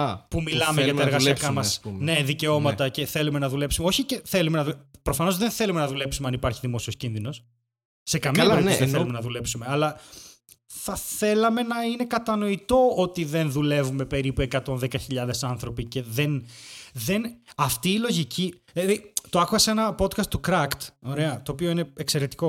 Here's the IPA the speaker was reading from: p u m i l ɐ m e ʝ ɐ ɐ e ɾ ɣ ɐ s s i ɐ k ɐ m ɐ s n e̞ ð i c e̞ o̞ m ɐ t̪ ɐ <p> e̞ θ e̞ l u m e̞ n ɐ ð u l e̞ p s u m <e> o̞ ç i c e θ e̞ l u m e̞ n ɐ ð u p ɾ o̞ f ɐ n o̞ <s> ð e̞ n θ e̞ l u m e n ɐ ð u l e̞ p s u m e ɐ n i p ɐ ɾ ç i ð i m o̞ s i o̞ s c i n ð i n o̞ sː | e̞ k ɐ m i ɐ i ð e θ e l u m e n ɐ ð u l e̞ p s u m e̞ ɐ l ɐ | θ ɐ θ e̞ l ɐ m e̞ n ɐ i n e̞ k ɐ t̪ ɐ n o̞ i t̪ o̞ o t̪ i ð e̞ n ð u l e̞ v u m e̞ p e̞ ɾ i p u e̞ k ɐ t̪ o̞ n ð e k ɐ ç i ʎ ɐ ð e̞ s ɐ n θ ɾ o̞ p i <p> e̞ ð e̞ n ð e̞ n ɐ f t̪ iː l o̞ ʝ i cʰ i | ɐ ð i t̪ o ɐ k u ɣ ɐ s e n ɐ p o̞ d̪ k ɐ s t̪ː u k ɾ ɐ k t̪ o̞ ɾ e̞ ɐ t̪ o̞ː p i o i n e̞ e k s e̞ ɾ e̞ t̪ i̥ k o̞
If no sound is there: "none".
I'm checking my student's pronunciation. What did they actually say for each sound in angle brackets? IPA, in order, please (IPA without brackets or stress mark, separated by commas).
c, e, z, c